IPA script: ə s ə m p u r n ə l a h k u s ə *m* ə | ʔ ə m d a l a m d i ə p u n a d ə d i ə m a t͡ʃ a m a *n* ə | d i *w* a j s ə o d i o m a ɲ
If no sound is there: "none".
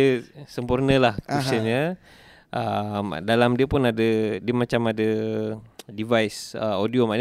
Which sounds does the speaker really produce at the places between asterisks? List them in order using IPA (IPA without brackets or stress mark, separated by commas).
ɲ, d, v